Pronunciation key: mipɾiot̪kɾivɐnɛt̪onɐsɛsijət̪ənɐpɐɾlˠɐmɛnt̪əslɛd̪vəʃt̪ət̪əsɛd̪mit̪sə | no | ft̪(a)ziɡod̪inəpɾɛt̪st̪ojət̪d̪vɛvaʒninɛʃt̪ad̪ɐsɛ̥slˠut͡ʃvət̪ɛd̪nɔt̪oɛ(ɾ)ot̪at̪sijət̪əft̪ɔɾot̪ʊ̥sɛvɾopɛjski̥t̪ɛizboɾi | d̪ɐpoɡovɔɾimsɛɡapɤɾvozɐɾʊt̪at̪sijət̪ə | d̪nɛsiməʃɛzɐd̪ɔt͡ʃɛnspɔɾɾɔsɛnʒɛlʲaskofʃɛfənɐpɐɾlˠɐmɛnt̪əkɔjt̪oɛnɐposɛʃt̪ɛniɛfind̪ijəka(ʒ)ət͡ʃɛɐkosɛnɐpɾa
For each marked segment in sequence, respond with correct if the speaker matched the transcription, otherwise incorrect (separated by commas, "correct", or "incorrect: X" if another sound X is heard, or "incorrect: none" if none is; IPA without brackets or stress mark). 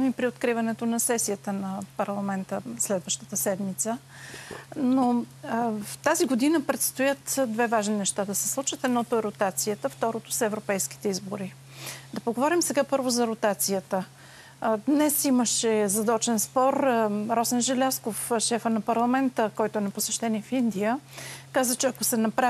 correct, correct, incorrect: z